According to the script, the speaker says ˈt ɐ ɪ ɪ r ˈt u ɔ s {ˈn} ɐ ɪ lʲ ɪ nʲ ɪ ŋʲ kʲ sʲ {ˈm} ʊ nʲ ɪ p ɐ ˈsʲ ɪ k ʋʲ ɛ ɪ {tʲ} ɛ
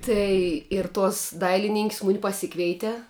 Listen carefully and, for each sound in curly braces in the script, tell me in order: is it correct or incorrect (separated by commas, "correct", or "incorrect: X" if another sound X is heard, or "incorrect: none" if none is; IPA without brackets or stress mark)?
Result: incorrect: d, correct, correct